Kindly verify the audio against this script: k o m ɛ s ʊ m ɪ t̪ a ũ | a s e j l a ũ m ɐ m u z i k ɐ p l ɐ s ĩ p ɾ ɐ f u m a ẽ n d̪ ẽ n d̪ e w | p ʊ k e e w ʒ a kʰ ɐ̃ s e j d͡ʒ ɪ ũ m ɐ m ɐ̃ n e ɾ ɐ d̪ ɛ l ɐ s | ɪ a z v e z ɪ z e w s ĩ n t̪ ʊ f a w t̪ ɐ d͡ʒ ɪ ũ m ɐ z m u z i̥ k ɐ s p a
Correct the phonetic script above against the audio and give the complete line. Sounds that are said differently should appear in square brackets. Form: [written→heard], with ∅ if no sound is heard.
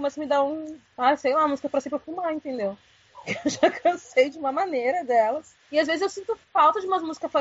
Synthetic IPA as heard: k o m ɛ s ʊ m ɪ [t̪→d̪] a ũ | a s e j l a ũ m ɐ m u z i k ɐ p [l→ɾ] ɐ s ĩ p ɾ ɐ f u m a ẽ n [d̪→t̪] ẽ n d̪ e w | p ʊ k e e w ʒ a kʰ ɐ̃ s e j d͡ʒ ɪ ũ m ɐ m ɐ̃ n e ɾ ɐ d̪ ɛ l ɐ s | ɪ a z v e z ɪ z e w s ĩ n t̪ ʊ f a w t̪ ɐ d͡ʒ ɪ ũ m ɐ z m u z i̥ k ɐ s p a